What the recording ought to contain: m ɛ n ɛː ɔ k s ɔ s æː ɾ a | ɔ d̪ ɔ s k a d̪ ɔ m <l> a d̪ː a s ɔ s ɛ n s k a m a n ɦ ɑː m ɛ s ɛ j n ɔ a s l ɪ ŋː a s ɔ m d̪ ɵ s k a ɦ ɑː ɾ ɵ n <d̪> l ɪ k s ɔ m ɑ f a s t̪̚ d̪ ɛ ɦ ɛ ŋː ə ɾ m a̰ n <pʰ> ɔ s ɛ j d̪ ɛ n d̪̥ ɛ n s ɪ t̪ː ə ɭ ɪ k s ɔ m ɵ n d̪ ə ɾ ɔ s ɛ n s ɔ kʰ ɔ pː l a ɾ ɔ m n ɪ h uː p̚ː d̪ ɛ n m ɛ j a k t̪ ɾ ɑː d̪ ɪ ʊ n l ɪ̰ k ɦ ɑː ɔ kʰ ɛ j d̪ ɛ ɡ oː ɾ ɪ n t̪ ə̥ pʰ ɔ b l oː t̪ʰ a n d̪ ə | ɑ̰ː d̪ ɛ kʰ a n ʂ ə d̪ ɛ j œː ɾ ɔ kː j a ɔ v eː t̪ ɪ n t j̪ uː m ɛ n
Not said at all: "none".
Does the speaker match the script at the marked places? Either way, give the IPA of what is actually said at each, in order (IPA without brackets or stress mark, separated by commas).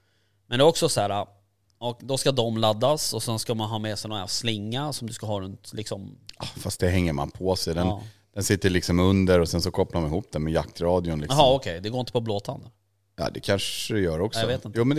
l, t̪, pʰ